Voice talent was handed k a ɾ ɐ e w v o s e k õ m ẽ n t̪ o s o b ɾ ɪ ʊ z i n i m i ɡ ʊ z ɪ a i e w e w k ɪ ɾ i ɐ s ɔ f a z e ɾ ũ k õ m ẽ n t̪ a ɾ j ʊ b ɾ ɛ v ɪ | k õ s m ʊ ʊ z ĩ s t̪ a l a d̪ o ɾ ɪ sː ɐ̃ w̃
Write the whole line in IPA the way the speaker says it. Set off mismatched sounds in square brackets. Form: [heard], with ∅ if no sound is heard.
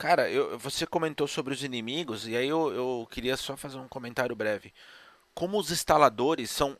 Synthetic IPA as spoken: k a ɾ ɐ e w v o s e k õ m ẽ n t̪ o s o b ɾ ɪ ʊ z i n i m i ɡ ʊ z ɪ a i e w e w k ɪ ɾ i ɐ s ɔ f a z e ɾ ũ k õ m ẽ n t̪ a ɾ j ʊ b ɾ ɛ v ɪ | k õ [∅] m ʊ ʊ z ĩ s t̪ a l a d̪ o ɾ ɪ sː ɐ̃ w̃